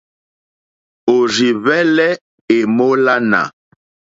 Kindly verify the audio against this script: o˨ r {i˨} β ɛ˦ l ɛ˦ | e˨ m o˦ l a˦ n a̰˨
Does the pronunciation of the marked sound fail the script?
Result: no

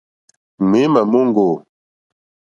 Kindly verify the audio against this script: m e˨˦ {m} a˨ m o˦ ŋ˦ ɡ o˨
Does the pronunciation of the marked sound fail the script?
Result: no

